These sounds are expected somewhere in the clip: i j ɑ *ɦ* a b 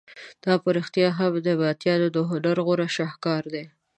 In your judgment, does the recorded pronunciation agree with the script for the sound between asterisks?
yes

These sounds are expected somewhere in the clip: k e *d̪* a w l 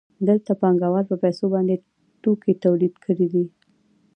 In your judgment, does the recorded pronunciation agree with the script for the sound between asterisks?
no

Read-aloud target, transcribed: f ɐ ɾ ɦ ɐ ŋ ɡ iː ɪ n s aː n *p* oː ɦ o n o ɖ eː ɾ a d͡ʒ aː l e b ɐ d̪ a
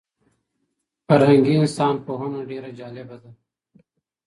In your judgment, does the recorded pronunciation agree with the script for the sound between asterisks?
yes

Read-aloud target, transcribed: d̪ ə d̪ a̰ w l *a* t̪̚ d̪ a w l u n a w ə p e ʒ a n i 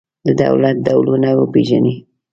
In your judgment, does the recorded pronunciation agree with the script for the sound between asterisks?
yes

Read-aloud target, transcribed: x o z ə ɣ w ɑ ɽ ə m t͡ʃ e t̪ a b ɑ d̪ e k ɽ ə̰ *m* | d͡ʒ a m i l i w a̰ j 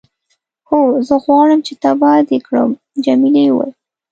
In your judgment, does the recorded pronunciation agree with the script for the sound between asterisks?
yes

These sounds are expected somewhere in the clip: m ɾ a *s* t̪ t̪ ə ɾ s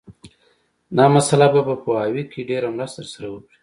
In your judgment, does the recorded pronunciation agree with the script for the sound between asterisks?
yes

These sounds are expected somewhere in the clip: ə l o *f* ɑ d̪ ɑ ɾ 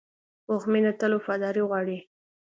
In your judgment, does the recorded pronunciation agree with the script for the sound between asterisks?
yes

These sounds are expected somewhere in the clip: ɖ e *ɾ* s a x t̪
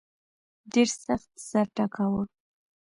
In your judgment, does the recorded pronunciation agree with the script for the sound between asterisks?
yes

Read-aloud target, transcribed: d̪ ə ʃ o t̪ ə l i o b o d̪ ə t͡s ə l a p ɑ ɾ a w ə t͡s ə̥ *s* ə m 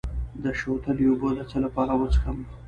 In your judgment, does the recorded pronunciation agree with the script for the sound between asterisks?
no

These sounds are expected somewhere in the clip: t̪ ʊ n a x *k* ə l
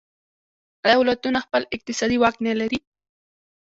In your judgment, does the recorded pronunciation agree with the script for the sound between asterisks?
no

